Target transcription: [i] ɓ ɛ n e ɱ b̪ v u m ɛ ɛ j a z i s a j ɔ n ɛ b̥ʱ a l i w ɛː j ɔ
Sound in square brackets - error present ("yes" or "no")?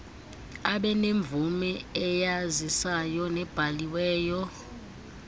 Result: yes